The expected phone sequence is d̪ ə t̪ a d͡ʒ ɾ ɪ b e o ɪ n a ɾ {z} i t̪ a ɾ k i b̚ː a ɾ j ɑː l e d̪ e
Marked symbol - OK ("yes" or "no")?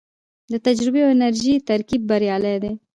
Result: no